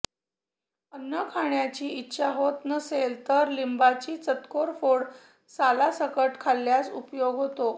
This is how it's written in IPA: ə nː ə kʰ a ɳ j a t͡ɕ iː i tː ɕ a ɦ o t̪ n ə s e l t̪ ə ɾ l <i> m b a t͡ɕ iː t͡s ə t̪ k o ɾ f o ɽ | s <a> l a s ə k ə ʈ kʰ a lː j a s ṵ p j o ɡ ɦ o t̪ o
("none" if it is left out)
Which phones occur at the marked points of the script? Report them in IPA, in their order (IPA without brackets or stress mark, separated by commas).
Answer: i, a